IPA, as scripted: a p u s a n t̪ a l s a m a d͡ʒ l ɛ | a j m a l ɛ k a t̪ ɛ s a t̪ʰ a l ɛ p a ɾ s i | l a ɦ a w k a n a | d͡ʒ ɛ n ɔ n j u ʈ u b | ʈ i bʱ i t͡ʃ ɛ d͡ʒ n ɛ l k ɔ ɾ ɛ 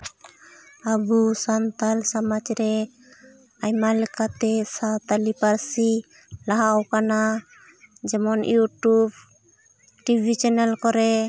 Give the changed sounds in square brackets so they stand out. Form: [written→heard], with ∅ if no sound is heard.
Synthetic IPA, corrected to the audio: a [p→b] u s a n t̪ a l s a m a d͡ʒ [l→ɾ] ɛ | a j m a l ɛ k a t̪ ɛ s a [t̪ʰ→t̪] a l [ɛ→i] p a ɾ s i | l a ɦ a w k a n a | d͡ʒ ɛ [n→m] ɔ n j u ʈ u b | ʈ i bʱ i t͡ʃ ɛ [d͡ʒ→∅] n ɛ l k ɔ ɾ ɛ